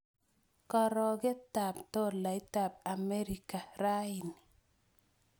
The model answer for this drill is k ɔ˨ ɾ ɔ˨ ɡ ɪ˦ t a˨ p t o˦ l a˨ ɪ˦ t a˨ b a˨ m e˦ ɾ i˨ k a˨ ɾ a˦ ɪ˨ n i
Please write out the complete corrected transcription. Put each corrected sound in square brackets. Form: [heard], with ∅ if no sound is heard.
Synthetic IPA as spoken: k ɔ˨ ɾ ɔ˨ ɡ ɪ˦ t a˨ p t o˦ l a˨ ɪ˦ t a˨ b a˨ m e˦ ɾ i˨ k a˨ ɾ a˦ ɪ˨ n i